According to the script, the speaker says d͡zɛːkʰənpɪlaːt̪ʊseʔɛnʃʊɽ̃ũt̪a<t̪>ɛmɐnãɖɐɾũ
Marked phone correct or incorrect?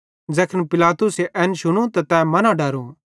correct